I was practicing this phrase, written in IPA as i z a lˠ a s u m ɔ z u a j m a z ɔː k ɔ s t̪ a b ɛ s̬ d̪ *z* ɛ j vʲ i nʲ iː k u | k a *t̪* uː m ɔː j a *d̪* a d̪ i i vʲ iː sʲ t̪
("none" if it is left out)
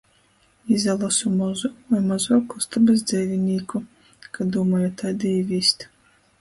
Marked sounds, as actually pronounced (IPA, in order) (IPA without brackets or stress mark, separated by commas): z, d̪, t̪